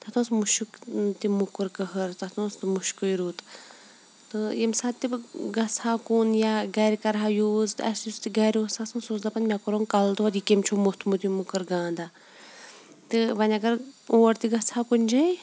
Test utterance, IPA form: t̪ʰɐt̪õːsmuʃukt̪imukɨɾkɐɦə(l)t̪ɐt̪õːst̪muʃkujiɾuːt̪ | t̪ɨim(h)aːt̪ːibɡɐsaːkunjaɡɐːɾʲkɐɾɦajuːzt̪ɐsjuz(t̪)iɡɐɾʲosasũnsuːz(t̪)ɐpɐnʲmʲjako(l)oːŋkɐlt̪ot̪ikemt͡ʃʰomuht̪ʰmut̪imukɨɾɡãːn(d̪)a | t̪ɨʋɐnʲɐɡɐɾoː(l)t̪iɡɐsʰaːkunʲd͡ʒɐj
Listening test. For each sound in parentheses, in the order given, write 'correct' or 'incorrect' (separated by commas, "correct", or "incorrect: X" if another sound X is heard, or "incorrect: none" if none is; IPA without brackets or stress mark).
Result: incorrect: ɾ, incorrect: s, correct, incorrect: d̪, incorrect: ɾ, correct, incorrect: ɾ